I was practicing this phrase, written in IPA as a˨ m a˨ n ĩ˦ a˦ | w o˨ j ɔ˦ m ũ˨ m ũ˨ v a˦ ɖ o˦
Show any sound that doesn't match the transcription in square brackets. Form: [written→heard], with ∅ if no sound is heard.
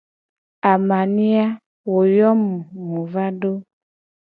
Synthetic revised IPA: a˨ m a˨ n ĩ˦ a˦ | w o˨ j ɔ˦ m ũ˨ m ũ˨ v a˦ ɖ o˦